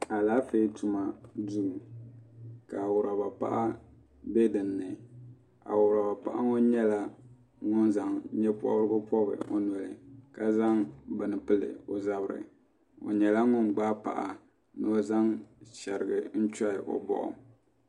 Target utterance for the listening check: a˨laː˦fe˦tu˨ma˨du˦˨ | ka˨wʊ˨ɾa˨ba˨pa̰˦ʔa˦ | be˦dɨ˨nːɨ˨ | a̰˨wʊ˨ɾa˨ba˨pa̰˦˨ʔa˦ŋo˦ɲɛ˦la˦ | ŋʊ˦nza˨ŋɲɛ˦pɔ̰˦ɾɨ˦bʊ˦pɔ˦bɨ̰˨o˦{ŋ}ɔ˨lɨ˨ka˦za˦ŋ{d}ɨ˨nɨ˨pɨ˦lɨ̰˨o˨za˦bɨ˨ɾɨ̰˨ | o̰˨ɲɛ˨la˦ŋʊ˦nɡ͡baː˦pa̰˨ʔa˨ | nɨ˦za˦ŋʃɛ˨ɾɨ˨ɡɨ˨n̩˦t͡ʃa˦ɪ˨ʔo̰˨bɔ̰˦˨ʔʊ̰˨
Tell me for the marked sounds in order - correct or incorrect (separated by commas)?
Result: incorrect, incorrect